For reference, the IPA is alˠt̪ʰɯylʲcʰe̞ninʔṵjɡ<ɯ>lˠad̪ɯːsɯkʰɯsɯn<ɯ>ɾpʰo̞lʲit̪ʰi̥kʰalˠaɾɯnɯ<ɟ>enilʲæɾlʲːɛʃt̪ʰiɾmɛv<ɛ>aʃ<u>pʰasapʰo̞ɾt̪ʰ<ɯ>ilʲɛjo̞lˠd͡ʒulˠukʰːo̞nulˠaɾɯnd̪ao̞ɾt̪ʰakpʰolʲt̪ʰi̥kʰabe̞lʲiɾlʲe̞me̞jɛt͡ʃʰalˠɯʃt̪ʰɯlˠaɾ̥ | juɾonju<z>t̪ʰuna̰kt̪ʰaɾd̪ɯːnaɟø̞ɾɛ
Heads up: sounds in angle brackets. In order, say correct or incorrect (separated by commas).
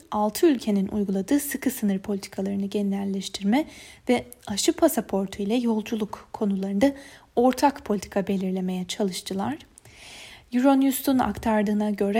incorrect, correct, correct, correct, incorrect, incorrect, incorrect